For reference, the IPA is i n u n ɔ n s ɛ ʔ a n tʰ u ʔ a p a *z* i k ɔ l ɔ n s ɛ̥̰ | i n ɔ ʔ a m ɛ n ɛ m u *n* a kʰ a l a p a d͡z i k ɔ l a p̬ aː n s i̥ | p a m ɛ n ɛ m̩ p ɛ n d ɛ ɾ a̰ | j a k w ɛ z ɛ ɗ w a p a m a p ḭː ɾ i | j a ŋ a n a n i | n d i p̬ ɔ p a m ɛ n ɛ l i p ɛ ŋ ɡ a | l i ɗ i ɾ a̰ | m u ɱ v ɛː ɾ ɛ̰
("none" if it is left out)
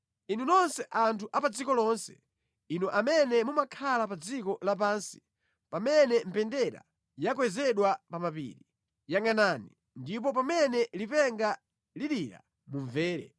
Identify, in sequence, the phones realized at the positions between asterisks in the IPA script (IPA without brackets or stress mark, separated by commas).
d͡z, m